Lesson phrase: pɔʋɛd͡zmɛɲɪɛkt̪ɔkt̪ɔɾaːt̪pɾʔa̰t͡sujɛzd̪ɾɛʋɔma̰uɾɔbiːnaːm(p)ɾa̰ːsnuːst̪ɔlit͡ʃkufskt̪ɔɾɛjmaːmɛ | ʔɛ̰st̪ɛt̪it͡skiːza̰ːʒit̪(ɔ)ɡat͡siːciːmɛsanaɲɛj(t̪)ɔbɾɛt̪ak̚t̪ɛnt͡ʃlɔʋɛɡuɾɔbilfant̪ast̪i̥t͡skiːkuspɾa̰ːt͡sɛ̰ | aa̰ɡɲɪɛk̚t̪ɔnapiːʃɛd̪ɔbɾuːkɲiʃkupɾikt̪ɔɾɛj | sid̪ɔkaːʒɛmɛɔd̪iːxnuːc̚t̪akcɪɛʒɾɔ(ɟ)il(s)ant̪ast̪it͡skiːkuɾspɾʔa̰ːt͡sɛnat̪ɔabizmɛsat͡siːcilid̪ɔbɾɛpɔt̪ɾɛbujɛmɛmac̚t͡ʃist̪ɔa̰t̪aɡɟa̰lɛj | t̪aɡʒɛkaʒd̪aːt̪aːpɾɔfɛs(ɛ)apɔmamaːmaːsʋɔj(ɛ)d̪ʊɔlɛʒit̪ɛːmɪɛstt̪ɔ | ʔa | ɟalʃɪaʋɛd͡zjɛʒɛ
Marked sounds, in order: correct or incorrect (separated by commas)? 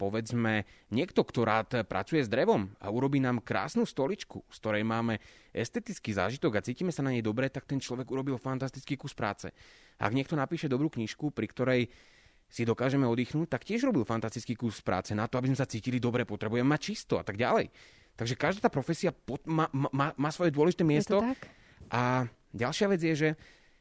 incorrect, correct, incorrect, incorrect, incorrect, incorrect, correct